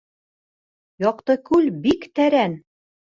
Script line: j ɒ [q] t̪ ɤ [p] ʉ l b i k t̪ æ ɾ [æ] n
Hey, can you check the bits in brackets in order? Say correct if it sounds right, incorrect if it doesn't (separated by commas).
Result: correct, incorrect, correct